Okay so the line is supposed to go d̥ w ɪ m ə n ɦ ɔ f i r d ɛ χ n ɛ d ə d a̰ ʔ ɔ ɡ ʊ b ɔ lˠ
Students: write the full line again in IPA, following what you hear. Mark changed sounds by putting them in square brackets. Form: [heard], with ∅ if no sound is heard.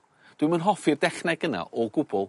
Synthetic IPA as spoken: d̥ w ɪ m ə n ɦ ɔ f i r d ɛ χ n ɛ [ɡ] ə [n] a̰ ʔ ɔ ɡ ʊ b ɔ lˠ